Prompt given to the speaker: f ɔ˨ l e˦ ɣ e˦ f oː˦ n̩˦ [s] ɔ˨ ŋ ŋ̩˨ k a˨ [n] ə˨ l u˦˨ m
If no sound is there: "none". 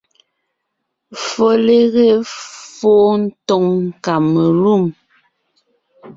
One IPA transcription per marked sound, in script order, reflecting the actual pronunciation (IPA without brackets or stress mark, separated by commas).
t, m